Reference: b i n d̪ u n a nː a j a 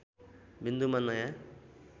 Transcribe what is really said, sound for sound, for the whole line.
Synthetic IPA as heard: b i n d̪ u m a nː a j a